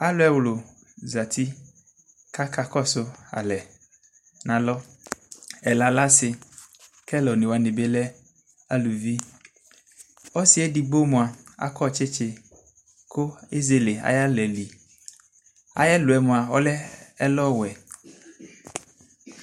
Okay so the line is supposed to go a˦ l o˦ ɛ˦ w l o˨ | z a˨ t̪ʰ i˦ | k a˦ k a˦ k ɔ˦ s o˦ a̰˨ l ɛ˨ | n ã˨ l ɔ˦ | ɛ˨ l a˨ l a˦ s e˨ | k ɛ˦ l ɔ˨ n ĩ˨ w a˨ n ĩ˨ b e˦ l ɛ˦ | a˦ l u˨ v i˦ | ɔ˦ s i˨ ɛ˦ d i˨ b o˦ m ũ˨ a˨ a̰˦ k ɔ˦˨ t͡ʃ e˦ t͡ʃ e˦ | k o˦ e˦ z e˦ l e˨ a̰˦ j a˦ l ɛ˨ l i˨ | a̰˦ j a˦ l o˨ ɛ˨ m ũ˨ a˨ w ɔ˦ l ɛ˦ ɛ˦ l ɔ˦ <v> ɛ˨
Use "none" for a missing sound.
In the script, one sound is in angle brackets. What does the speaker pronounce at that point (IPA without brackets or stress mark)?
w